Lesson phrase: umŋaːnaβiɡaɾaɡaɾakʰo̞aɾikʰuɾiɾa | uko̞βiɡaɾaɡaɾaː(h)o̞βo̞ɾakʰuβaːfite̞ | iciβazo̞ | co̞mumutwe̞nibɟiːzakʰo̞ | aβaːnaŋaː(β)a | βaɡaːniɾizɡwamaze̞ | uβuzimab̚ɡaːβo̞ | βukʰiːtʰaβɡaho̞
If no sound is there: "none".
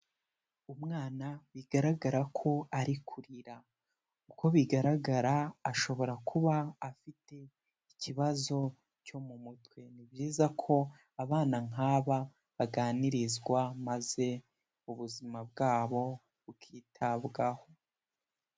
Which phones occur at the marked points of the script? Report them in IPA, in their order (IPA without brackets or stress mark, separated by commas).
ʃ, β